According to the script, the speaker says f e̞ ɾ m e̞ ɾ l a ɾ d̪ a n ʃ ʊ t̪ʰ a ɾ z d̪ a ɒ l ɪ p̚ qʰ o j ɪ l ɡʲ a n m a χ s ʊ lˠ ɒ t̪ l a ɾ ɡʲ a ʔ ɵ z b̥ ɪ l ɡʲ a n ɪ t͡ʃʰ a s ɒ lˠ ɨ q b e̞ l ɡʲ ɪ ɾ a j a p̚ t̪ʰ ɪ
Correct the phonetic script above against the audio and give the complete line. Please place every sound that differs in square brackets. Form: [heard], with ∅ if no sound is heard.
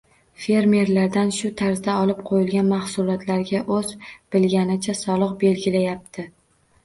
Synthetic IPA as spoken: f e̞ ɾ m e̞ ɾ l a ɾ d̪ a n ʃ ʊ t̪ʰ a ɾ z d̪ a ɒ l ɪ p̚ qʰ o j ɪ l ɡʲ a n m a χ s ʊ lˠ ɒ t̪ l a ɾ ɡʲ a ʔ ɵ z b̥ ɪ l ɡʲ a n ɪ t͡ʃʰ a s ɒ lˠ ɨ q b e̞ l ɡʲ ɪ [l] a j a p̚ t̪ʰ ɪ